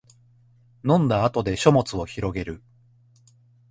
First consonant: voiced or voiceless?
voiced